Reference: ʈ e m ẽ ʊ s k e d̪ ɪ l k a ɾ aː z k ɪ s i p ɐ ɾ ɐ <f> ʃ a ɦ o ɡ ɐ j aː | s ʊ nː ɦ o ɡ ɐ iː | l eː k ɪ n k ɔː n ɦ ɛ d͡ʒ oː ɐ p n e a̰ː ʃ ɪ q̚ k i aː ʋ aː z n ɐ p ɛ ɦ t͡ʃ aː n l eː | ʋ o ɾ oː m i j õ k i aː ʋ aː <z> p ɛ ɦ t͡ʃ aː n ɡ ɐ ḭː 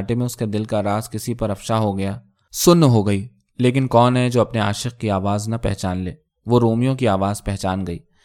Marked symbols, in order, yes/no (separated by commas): yes, yes